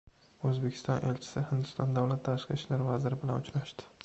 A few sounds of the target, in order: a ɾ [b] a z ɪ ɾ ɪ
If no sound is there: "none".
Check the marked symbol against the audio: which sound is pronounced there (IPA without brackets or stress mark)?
v